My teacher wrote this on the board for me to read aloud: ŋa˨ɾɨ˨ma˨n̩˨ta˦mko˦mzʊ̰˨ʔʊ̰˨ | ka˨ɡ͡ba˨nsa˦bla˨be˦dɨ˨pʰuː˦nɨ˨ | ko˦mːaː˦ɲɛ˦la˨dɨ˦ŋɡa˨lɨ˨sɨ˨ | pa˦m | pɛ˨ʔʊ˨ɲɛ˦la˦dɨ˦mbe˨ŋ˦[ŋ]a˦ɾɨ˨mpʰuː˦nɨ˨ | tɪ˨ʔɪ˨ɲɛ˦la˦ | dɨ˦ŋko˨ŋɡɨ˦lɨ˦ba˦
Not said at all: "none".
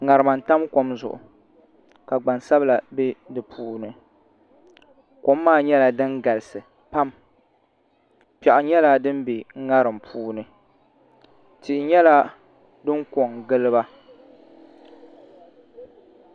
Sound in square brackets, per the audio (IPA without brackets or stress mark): ŋ